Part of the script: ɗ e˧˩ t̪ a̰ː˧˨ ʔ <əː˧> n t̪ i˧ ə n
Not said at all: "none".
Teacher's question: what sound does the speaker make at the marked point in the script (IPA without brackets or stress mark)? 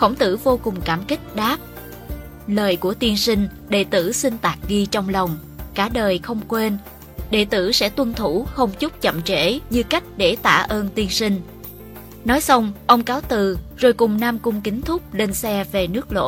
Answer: əː˧